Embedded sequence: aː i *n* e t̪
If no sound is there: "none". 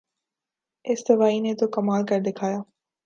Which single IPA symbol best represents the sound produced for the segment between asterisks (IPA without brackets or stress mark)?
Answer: n